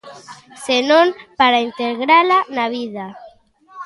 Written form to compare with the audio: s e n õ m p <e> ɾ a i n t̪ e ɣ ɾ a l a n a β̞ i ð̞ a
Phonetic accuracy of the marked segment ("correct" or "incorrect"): incorrect